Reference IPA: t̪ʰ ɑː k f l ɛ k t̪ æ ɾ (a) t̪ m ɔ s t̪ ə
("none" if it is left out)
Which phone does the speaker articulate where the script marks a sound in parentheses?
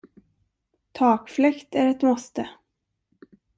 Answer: ɛ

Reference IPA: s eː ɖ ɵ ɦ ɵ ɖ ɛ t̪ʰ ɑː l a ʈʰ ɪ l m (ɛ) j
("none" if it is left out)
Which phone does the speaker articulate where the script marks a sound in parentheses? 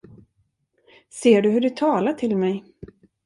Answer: ɛ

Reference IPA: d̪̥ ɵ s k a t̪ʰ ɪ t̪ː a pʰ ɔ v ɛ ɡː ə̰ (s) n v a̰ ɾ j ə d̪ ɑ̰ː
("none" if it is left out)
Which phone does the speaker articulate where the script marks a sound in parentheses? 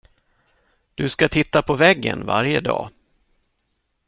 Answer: none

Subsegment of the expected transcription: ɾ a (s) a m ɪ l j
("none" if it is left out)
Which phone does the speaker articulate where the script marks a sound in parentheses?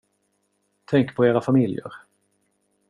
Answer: f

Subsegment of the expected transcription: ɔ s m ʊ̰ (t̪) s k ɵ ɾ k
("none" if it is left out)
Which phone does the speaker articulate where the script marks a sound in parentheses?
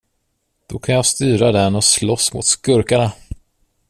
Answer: t̪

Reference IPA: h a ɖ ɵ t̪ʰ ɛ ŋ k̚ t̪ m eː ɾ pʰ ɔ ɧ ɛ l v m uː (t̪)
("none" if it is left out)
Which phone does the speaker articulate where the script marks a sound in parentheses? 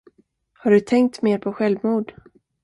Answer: d̪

